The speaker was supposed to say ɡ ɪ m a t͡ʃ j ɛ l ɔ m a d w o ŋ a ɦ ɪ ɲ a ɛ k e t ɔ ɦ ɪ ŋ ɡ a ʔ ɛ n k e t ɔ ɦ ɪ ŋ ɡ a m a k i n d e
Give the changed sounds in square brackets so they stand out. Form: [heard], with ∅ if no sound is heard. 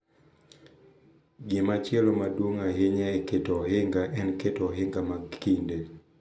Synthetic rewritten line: ɡ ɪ m a t͡ʃ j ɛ l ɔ m a d w o ŋ a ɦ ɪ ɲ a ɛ k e t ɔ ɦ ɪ ŋ ɡ a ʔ ɛ n k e t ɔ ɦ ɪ ŋ ɡ a m a k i n d e